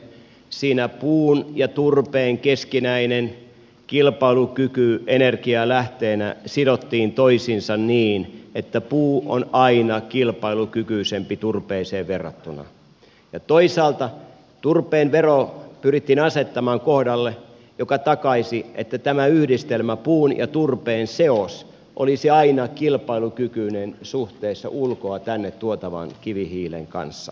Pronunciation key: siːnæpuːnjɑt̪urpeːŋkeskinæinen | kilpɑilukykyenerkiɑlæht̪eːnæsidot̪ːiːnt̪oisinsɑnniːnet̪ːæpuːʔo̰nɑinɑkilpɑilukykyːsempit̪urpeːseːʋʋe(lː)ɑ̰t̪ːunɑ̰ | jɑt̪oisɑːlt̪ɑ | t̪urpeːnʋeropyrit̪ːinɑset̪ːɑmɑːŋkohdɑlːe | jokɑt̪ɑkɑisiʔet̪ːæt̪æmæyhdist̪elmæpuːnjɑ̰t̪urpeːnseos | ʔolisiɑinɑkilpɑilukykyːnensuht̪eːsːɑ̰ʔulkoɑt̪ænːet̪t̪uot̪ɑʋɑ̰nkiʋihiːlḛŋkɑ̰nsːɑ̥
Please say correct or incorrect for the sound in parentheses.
incorrect